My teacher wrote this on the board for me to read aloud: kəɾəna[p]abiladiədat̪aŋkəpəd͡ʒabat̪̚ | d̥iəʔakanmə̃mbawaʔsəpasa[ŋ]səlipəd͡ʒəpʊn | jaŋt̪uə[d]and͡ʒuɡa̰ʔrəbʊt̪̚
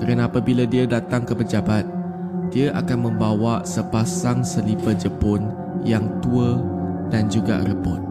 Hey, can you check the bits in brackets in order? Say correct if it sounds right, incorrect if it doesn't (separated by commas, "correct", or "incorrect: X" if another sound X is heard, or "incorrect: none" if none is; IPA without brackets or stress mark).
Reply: correct, correct, correct